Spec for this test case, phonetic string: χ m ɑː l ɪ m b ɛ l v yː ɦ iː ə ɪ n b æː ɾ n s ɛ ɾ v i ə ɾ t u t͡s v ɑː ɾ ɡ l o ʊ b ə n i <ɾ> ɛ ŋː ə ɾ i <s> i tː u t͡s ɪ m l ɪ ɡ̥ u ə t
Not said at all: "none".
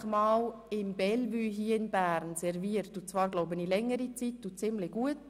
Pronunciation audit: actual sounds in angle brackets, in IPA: l, t͡s

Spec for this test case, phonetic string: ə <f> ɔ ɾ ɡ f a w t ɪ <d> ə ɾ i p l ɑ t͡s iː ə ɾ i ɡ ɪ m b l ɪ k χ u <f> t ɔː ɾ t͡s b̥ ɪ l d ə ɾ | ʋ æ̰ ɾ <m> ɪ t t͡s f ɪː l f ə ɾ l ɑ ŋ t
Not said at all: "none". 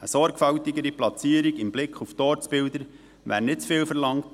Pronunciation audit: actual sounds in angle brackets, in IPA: s, ɡ, f, n

